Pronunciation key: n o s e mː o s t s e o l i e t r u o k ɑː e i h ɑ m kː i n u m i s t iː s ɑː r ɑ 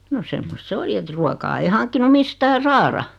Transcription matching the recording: n o s e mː o s t s e o l i e t r u o k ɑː e i h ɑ ŋ kː i n u m i s t æː s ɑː r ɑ